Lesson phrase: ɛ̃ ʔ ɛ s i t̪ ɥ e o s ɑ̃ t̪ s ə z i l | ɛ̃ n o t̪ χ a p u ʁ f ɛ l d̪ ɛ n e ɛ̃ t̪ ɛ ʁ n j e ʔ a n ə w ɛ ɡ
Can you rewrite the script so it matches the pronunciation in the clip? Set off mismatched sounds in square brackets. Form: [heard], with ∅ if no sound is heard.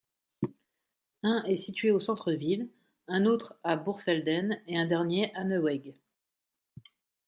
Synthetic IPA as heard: ɛ̃ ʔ ɛ s i t̪ ɥ e o s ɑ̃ t̪ [χ] ə [v] i l | ɛ̃ n o t̪ χ a [b] u ʁ f ɛ l d̪ ɛ n e ɛ̃ [d̪] ɛ ʁ n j e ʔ a n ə w ɛ ɡ

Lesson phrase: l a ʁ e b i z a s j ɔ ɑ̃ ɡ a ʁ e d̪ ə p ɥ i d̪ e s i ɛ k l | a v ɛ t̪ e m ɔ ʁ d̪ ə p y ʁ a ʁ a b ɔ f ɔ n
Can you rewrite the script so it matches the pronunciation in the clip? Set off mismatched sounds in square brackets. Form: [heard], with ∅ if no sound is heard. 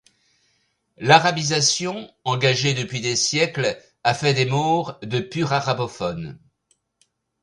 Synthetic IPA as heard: l a ʁ [a] b i z a s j [ɔ̃] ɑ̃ ɡ a [ʒ] e d̪ ə p ɥ i d̪ e s [j] ɛ k l | a [f] ɛ [d̪] e m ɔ ʁ d̪ ə p y ʁ a ʁ a b ɔ f ɔ n

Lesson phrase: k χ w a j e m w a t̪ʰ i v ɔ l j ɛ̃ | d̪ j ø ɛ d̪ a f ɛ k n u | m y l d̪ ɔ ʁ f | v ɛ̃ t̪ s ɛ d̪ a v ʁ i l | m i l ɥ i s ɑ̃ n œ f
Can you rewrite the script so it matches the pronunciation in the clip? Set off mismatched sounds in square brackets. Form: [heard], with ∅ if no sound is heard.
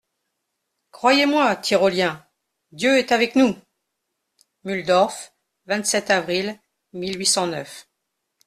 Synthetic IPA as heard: k χ w a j e m w a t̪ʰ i [ʁ] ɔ l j ɛ̃ | d̪ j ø ɛ [t̪] a [v] ɛ k n u | m y l d̪ ɔ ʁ f | v ɛ̃ t̪ s ɛ [t̪] a v ʁ i l | m i l ɥ i s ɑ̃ n œ f

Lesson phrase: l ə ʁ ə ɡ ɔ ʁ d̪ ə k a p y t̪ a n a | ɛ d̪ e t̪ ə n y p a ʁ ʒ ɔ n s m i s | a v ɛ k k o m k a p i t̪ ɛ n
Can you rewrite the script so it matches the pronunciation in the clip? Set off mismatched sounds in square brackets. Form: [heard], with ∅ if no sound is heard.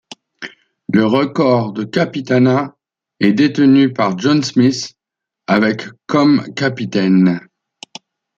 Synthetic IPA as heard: l ə ʁ ə [k] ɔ ʁ d̪ ə k a p [i] t̪ a n a | ɛ d̪ e t̪ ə n y p a ʁ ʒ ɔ n s m i s | a v ɛ k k [ɔ] m k a p i t̪ ɛ n

